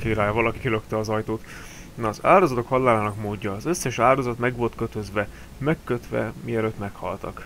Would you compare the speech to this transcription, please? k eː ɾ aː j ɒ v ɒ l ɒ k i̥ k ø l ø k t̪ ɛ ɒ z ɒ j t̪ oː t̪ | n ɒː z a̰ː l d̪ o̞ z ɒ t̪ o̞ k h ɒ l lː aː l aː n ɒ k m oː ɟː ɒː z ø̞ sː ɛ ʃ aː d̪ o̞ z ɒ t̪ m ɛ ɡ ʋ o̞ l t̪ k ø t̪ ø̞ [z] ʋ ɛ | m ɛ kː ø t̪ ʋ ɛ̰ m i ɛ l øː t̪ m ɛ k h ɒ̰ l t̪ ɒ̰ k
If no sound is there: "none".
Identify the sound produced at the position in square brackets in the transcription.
z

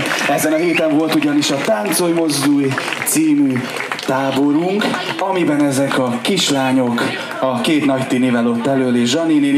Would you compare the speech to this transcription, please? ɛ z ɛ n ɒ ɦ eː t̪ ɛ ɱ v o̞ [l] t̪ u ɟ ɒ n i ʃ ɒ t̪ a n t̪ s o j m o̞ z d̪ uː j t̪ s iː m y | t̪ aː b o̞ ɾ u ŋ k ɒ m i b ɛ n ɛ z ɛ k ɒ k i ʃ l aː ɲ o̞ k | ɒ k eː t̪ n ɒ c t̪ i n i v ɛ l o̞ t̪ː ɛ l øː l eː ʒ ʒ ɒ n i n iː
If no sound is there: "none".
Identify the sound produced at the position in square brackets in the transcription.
l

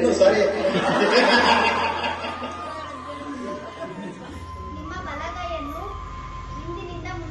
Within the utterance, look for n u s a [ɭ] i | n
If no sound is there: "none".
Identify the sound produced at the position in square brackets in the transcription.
ɾ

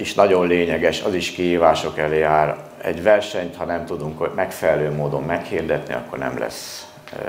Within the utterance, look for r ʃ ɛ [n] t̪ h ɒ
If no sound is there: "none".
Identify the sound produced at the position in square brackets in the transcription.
ɲ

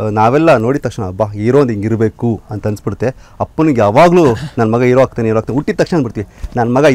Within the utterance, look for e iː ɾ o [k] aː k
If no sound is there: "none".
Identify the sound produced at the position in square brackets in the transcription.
none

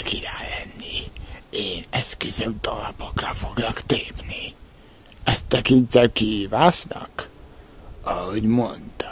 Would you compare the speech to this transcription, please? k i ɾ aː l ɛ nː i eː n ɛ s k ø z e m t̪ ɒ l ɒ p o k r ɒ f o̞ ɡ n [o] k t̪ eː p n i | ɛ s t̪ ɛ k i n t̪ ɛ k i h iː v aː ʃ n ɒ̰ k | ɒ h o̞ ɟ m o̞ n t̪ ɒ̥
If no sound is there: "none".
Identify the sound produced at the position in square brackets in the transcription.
ɒ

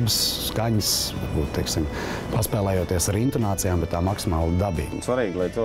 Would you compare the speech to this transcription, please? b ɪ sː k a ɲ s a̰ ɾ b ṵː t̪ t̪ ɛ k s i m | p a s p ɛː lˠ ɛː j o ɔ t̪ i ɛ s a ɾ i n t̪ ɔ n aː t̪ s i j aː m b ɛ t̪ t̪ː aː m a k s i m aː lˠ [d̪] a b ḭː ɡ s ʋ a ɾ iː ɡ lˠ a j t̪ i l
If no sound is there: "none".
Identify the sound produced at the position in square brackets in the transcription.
d̪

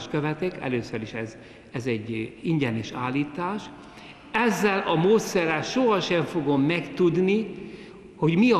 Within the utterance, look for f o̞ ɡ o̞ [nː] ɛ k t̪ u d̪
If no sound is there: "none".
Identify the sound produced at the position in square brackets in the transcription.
mː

